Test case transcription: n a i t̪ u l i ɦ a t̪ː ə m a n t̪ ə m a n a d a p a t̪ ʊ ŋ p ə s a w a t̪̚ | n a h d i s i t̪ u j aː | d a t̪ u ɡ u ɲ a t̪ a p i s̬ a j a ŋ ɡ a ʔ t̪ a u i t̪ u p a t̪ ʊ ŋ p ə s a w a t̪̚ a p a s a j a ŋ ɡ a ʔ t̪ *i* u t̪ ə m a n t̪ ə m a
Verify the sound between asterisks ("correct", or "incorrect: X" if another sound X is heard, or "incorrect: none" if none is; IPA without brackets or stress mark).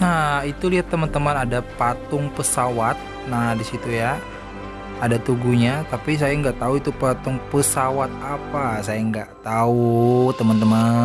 incorrect: a